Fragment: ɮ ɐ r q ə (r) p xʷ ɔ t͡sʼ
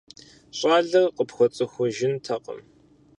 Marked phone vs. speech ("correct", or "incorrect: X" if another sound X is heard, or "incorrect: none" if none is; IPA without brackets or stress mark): incorrect: none